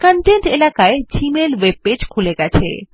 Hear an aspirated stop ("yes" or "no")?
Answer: yes